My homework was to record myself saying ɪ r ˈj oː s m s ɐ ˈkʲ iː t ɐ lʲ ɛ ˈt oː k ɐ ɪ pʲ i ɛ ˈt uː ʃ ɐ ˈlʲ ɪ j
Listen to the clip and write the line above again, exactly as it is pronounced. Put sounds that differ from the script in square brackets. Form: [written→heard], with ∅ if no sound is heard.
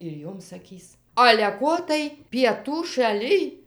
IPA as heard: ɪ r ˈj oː [s→∅] m s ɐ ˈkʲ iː [t→s] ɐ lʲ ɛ [ˈt→ˈk] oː [k→t] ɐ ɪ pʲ i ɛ ˈt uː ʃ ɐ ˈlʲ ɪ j